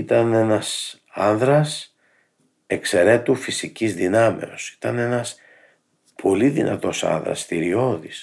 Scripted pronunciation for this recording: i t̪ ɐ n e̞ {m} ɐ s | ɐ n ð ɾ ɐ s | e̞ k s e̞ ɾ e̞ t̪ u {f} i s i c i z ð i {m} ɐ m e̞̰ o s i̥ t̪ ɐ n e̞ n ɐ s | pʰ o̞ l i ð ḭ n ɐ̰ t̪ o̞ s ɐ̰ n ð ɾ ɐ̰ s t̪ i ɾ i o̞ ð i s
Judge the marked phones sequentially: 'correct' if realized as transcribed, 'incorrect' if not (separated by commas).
incorrect, correct, incorrect